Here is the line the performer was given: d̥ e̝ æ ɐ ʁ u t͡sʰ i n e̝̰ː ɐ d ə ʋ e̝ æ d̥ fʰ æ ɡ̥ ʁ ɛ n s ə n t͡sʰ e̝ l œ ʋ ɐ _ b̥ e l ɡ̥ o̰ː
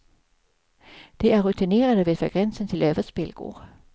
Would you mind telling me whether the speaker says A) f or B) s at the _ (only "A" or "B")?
B